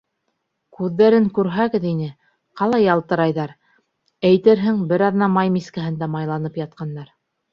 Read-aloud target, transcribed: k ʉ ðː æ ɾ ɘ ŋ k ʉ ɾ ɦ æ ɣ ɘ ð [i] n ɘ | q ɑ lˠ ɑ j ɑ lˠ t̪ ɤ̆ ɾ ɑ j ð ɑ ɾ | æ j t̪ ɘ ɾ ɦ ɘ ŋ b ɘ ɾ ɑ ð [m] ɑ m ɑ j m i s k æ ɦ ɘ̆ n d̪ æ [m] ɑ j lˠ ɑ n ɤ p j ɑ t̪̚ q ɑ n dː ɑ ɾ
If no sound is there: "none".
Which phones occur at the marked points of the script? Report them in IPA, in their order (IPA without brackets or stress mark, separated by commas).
i, n, m